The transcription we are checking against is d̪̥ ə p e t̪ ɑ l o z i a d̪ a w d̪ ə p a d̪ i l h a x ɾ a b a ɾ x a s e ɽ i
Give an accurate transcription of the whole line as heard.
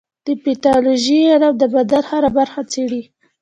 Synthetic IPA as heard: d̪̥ ə p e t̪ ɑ l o ʒ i a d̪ a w d̪ ə b a d̪ a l h a ɾ a b a ɾ x a t͡s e ɽ i